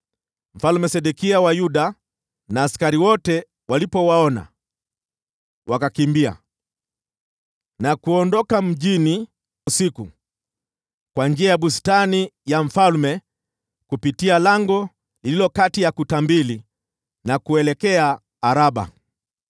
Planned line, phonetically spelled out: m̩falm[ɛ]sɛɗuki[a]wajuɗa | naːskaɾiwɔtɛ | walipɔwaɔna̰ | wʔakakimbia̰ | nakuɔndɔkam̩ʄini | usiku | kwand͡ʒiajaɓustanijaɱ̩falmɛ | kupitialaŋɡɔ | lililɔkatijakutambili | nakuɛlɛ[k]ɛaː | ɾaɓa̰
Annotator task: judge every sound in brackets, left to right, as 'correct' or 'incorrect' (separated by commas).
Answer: correct, correct, correct